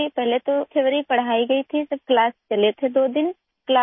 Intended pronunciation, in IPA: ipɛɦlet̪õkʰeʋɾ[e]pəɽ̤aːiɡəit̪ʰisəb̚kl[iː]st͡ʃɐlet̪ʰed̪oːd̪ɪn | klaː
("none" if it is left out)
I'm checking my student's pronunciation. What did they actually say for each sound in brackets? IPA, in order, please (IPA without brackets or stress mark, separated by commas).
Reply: i, aː